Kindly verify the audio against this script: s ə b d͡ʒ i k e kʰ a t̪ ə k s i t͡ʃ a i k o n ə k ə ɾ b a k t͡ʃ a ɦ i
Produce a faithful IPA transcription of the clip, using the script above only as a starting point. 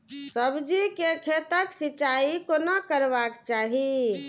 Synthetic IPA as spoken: s ə b d͡ʒ i k e kʰ e t̪ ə k s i t͡ʃ a i k o n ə k ə ɾ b a k t͡ʃ a ɦ i